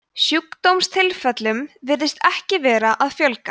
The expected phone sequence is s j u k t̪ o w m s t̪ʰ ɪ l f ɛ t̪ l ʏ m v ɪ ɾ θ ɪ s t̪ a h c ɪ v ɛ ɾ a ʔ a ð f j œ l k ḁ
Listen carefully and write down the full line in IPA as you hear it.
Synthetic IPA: s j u k t̪ o w m s t̪ʰ ɪ l f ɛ t̪ l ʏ m v ɪ ɾ ð ɪ s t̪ ɛ h c ɪ v ɛː ɾ a ʔ a ð f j œ l k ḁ